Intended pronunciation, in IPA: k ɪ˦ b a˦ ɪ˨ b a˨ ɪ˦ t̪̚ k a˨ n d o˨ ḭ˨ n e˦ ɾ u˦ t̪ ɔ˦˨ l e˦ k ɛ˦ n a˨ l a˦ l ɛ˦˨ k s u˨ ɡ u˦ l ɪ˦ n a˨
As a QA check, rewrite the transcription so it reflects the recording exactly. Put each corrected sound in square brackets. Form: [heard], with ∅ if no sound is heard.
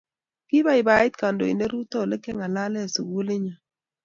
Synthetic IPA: k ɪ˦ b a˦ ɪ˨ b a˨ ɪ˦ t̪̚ k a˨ n d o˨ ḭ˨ n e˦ ɾ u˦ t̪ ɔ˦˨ l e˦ k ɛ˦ [ŋ] a˨ l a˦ l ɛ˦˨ [∅] s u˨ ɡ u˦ l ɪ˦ [ɲ] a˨